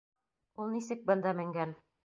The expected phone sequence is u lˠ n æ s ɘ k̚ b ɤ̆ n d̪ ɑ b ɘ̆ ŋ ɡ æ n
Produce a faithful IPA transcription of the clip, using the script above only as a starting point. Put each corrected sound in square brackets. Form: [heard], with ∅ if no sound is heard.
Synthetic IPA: u lˠ n [i] s ɘ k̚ b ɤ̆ n d̪ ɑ [m] ɘ̆ ŋ ɡ æ n